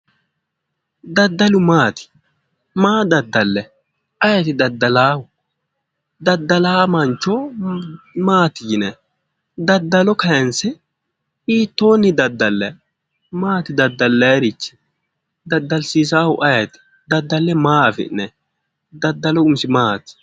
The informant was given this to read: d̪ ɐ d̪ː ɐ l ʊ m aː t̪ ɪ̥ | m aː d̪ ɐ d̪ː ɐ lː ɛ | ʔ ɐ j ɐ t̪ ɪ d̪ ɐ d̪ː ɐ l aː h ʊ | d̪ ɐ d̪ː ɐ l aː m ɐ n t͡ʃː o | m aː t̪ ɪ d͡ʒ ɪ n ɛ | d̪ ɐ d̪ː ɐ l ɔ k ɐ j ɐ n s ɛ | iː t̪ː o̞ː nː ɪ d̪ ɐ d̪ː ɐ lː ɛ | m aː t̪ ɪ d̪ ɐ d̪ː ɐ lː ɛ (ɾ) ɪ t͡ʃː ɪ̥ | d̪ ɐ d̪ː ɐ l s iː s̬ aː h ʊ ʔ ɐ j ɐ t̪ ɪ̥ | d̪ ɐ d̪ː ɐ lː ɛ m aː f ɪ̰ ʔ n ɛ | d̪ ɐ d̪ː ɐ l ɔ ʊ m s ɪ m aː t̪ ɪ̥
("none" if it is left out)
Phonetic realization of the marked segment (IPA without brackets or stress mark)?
ɾ